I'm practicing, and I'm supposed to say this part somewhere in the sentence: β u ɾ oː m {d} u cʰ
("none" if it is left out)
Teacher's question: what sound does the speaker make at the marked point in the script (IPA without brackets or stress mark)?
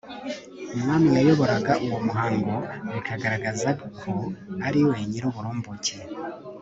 b